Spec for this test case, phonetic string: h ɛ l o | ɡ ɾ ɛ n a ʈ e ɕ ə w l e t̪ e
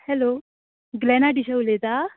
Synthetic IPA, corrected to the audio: h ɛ l o | ɡ l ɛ n a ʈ i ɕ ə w l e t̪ a